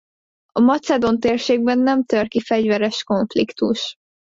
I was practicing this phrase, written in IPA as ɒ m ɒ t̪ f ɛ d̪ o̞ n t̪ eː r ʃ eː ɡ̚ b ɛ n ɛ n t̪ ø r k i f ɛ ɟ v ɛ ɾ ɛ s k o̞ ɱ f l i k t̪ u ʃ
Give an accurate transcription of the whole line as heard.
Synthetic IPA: ɒ m ɒ t̪ s ɛ d̪ o̞ n t̪ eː r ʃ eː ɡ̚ b ɛ nː ɛ m t̪ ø r k i f ɛ ɟ v ɛ ɾ ɛ ʃ k o̞ ɱ f l i k t̪ u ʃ